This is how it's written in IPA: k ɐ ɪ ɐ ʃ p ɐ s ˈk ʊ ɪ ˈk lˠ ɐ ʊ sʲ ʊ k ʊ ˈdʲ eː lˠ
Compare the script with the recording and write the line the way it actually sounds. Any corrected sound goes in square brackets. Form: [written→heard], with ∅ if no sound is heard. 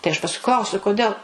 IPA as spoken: [k→t] ɐ ɪ ɐ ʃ p ɐ s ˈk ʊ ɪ ˈk lˠ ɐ ʊ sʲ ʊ k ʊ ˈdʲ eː lˠ